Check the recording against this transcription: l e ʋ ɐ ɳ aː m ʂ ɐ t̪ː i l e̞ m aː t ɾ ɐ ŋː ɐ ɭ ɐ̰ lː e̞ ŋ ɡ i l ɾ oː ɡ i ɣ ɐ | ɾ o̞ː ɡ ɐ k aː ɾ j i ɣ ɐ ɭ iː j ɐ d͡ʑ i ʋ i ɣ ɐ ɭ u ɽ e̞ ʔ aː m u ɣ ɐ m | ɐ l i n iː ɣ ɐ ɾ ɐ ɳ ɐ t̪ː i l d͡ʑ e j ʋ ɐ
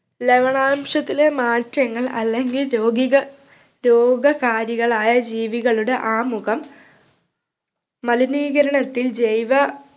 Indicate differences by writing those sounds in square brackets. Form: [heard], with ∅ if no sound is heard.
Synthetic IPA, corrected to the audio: l e ʋ ɐ ɳ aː m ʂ ɐ t̪ː i l e̞ m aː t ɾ ɐ ŋː ɐ ɭ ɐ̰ lː e̞ ŋ ɡ i l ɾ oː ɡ i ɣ ɐ | ɾ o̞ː ɡ ɐ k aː ɾ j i ɣ ɐ ɭ [aː] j ɐ d͡ʑ [iː] ʋ i ɣ ɐ ɭ u ɽ e̞ ʔ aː m u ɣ ɐ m | ɐ l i n iː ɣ ɐ ɾ ɐ ɳ ɐ t̪ː i l d͡ʑ e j ʋ ɐ